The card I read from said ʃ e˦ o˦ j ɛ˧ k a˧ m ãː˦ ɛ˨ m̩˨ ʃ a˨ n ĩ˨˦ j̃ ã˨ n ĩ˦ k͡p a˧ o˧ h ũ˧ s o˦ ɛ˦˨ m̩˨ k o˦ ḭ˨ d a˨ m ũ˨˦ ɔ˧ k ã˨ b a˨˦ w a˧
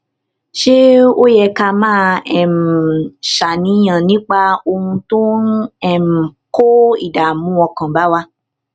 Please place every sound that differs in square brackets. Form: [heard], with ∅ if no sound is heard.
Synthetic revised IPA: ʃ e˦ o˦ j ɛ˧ k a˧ m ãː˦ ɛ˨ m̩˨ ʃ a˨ n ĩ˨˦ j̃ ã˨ n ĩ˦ k͡p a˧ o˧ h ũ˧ [t] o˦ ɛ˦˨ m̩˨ k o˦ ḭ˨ d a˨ m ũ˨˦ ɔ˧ k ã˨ b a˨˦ w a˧